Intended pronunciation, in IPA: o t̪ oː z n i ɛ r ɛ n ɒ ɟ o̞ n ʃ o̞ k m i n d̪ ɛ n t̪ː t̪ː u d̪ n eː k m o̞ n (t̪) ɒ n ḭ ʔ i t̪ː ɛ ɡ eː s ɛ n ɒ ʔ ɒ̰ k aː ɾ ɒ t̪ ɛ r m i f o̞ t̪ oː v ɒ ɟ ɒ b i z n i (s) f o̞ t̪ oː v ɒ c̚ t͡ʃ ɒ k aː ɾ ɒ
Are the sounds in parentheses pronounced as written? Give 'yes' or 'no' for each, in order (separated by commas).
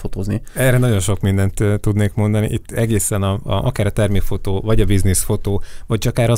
no, yes